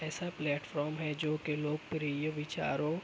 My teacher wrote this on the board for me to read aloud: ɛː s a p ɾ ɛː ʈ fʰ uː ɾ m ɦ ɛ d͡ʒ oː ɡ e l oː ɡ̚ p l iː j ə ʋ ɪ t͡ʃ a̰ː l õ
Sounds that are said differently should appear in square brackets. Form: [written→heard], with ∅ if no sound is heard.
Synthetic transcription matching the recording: ɛː s a p [ɾ→l] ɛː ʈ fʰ [uː→ɔː] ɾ m ɦ ɛ d͡ʒ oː [ɡ→k] e l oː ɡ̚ p [l→ɾ] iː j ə ʋ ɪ t͡ʃ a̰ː [l→ɾ] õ